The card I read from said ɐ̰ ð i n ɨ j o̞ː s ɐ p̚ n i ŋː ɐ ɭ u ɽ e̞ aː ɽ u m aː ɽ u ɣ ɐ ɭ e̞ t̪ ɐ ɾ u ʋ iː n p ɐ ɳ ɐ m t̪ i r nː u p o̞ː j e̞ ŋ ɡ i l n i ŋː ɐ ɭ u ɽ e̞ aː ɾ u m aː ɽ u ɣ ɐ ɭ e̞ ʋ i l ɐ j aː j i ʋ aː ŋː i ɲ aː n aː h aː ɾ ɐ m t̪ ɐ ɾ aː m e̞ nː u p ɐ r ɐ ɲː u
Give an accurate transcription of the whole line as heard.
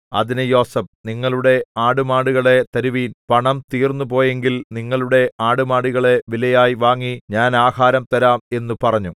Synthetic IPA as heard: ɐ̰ ð i n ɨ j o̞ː s ɐ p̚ n i ŋː ɐ ɭ u ɽ e̞ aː ɽ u m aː ɽ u ɣ ɐ ɭ e̞ t̪ ɐ ɾ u ʋ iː n p ɐ ɳ ɐ m t̪ iː r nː u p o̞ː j e̞ ŋ ɡ i l n i ŋː ɐ ɭ u ɽ e̞ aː ɽ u m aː ɽ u ɣ ɐ ɭ e̞ ʋ i l ɐ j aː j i ʋ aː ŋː i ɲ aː n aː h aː ɾ ɐ m t̪ ɐ ɾ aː m e̞ nː u p ɐ r ɐ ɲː u